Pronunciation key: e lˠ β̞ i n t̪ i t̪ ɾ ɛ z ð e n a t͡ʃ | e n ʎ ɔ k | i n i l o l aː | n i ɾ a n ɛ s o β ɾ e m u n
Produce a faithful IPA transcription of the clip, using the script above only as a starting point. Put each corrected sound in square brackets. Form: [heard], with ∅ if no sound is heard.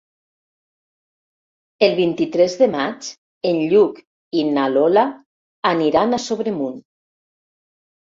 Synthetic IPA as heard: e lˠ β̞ i n t̪ i t̪ ɾ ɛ z ð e [m] a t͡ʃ | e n ʎ [u] k | i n [a] l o l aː | n i ɾ a n [a] s o β ɾ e m u n